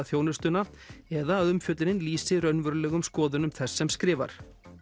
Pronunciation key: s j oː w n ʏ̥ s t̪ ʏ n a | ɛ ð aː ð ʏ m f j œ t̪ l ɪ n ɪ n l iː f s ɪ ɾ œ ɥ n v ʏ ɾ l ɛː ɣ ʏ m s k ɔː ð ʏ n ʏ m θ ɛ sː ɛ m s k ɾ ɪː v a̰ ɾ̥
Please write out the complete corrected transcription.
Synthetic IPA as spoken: θ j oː w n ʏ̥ s t̪ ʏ n a | ɛ ð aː ð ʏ m f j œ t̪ l ɪ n ɪ n l iː s ɪ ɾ œ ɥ n v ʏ ɾ l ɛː ɣ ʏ m s k ɔː ð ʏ n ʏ m θ ɛ sː ɛ m s k ɾ ɪː v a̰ ɾ̥

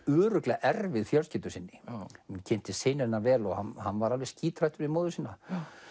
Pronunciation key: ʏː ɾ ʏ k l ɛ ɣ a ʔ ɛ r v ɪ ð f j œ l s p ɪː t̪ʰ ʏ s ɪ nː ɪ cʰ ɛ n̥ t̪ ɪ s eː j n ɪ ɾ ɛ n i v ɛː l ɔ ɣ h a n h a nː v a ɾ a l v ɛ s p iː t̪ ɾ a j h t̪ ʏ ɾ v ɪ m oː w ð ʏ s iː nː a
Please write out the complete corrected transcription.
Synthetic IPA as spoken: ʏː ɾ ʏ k l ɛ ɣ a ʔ ɛ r v ɪ ð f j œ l s c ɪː t̪ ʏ s ɪ nː ɪ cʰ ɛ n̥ t̪ ɪ s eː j n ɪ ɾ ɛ n a v ɛː l ɔ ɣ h a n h a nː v a ɾ a l v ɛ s c iː t̪ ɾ a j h t̪ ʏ ɾ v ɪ m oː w ð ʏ s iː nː a

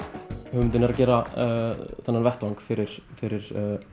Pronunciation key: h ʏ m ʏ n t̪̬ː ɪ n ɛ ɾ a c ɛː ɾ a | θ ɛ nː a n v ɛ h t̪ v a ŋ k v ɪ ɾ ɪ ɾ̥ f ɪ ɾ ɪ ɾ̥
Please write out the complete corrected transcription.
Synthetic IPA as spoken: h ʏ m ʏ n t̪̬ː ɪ n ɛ ɾ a c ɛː ɾ a | θ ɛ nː a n v ɛ h t̪ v a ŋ k f ɪ ɾ ɪ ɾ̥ f ɪ ɾ ɪ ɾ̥

